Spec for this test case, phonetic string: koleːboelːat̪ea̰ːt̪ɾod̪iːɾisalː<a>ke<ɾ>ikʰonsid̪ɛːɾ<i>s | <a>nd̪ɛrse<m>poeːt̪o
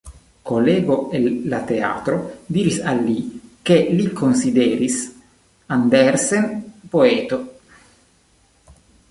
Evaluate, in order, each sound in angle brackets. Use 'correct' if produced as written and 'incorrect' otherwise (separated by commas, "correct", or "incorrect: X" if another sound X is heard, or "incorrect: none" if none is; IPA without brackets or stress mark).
incorrect: i, incorrect: l, correct, correct, incorrect: n